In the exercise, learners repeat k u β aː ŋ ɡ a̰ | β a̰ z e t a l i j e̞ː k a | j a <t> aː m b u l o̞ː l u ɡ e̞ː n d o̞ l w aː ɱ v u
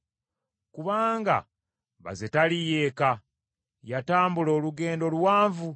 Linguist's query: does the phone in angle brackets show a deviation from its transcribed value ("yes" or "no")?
no